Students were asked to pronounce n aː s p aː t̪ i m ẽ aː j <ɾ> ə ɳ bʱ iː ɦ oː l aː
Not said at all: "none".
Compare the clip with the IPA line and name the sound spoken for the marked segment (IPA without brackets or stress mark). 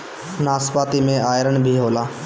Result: ɾ